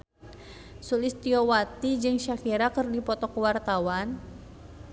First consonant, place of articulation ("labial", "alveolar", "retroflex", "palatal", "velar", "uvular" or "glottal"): alveolar